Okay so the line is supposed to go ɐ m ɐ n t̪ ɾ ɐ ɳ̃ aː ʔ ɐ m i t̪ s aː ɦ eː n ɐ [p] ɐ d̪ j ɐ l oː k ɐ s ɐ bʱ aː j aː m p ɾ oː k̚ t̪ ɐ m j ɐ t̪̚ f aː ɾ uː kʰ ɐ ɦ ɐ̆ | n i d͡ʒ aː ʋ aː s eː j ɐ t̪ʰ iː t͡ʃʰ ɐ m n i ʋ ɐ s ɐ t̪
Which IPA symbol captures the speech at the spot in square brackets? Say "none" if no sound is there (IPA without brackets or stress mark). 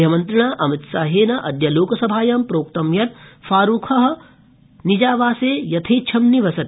ʔ